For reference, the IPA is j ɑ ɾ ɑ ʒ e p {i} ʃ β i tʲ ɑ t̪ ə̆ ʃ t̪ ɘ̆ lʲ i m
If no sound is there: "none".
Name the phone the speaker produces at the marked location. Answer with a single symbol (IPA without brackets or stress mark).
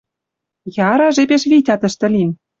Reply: e